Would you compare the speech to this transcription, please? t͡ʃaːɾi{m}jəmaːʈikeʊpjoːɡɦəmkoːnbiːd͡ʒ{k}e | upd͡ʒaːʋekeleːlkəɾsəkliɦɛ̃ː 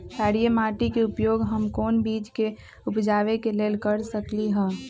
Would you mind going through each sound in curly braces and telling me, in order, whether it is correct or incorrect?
incorrect: none, correct

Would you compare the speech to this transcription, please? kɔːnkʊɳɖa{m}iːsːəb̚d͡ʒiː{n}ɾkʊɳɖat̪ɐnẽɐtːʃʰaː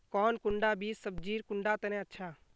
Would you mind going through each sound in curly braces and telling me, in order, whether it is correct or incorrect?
incorrect: b, incorrect: none

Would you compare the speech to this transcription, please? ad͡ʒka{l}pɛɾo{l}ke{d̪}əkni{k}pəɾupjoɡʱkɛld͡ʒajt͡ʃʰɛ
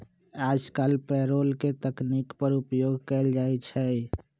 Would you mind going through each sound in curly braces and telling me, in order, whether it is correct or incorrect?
correct, correct, incorrect: t̪, correct

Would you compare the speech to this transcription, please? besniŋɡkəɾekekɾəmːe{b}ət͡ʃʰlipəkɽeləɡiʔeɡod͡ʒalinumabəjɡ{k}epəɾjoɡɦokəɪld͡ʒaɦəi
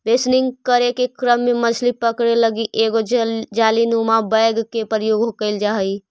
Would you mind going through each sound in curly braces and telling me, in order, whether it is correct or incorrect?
incorrect: m, correct

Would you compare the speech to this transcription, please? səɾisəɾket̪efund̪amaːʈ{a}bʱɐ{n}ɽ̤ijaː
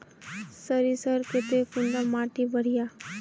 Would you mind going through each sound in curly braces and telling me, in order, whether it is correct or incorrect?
incorrect: i, incorrect: none

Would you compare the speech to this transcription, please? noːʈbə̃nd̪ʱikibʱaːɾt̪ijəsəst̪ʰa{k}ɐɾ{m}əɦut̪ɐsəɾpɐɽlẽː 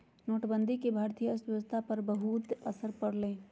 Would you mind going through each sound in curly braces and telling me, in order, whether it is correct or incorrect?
incorrect: p, incorrect: b

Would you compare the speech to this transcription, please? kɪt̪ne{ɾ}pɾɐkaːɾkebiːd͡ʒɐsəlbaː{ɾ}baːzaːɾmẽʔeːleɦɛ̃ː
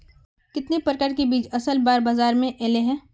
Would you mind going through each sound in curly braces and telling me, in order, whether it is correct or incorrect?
incorrect: none, correct

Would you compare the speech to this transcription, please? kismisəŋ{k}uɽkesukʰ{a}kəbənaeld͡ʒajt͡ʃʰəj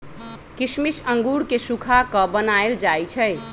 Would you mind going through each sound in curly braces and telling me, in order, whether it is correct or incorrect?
incorrect: ɡ, correct

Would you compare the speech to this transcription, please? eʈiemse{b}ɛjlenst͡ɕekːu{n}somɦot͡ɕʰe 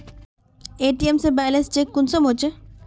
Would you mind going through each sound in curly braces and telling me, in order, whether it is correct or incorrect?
correct, correct

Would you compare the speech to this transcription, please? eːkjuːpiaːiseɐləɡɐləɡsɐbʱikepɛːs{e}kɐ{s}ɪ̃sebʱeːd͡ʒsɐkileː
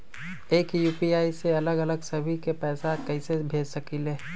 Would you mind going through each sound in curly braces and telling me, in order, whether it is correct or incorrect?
incorrect: a, incorrect: none

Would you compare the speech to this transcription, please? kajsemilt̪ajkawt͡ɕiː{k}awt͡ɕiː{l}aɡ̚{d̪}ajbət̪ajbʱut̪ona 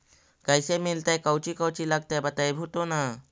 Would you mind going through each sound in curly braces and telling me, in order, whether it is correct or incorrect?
correct, correct, incorrect: t̪

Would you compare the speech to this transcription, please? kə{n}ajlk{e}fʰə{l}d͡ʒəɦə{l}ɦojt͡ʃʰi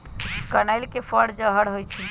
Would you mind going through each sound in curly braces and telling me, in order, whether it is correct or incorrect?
correct, correct, incorrect: ɽ, incorrect: ɽ

